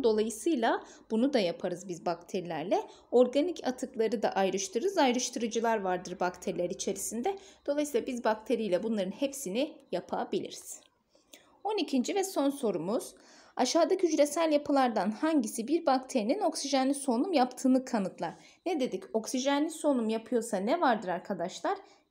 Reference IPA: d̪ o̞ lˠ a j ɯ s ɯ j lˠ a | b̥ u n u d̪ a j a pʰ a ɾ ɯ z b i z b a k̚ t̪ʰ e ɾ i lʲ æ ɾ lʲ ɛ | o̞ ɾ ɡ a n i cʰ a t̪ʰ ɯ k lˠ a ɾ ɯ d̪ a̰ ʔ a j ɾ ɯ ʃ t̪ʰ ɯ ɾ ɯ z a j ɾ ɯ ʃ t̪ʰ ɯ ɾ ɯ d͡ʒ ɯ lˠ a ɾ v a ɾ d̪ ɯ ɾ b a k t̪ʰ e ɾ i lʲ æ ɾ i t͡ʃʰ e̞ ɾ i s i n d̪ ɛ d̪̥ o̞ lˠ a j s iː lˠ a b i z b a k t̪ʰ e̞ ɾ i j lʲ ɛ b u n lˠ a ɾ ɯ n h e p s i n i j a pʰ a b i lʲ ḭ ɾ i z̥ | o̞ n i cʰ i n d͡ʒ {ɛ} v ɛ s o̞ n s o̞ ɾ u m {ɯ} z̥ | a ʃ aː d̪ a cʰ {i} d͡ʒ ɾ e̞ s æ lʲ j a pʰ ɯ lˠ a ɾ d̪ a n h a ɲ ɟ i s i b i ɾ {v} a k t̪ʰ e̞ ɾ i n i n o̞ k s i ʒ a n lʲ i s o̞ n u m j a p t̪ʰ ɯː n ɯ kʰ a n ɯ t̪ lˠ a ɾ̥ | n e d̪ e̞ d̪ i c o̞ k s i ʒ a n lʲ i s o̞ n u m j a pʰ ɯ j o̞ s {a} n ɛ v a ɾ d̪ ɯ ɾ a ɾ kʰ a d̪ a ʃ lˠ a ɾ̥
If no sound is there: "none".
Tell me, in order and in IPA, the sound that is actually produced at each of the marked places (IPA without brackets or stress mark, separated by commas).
i, u, y, b, a